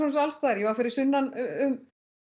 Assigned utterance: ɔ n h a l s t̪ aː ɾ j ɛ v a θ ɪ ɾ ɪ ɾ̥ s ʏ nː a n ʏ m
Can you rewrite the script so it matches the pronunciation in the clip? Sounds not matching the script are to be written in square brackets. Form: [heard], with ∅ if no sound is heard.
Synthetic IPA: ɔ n [s] a l s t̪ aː ɾ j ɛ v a [f] ɪ ɾ ɪ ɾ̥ s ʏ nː a n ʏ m